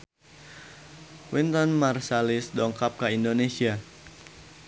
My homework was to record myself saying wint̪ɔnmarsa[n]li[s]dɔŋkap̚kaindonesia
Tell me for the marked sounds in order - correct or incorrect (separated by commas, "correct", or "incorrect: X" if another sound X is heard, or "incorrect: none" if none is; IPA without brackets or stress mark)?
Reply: incorrect: none, correct